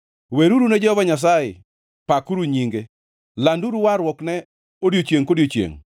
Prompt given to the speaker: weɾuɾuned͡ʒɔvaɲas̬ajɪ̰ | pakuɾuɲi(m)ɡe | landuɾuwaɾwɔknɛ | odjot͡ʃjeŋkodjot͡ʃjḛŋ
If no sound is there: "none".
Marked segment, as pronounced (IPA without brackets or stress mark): ŋ